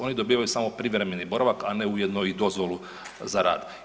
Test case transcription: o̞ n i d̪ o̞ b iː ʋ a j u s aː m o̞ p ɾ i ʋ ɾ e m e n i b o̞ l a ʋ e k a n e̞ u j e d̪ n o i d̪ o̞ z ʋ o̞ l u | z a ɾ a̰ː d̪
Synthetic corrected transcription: o̞ n i d̪ o̞ b iː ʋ a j u s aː m o̞ p ɾ i ʋ ɾ e m e n i b o̞ ɾ a ʋ a k a n e̞ u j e d̪ n o i d̪ o̞ z ʋ o̞ l u | z a ɾ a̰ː d̪